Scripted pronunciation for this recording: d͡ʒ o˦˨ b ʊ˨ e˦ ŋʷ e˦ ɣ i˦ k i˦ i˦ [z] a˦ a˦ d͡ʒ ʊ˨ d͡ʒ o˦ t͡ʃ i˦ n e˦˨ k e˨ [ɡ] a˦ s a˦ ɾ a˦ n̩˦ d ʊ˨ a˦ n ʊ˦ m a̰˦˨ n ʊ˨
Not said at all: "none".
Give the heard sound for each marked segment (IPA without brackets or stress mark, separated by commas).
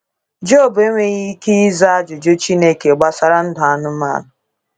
z, ɡ͡b